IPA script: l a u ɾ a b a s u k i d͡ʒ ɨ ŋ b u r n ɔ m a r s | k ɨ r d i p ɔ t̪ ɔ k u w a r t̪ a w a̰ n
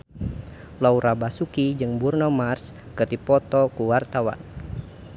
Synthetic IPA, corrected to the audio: l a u ɾ a b a s u k i d͡ʒ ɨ ŋ b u r n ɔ m a r s | k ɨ r d i p ɔ t̪ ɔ k u w a r t̪ a w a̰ n